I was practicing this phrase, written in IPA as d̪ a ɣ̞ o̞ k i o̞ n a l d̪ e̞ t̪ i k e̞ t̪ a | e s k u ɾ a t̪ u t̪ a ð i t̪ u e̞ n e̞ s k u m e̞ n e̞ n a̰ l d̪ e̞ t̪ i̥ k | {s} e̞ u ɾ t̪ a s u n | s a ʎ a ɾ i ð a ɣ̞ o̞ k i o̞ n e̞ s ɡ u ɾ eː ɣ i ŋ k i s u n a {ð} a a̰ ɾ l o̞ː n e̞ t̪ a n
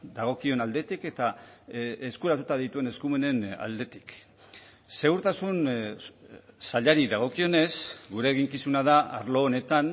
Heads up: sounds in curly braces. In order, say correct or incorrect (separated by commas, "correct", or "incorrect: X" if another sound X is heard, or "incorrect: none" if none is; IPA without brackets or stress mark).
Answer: correct, correct